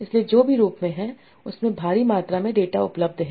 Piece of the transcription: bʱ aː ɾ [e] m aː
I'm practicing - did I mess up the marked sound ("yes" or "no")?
yes